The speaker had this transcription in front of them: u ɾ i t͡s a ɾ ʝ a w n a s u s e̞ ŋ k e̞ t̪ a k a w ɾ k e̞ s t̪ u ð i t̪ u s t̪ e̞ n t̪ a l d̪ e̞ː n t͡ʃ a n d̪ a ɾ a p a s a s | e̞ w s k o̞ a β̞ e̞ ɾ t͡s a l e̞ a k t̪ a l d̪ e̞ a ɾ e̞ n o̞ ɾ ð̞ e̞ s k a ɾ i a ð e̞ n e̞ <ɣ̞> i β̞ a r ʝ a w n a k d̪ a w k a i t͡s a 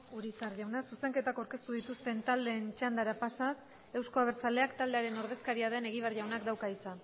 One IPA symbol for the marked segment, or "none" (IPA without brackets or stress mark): ɣ̞